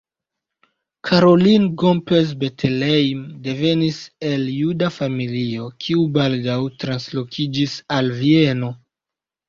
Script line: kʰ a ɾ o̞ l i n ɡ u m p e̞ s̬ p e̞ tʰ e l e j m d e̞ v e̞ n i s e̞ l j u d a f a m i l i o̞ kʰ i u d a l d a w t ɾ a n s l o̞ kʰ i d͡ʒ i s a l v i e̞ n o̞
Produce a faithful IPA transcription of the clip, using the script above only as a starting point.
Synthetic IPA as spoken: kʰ a ɾ o̞ l i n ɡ o m p e̞ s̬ b e̞ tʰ e l e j m d e̞ v e̞ n i s e̞ l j u d a f a m i l i o̞ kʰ i u b a l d a w t ɾ a n s l o̞ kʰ i d͡ʒ i s a l v i e̞ n o̞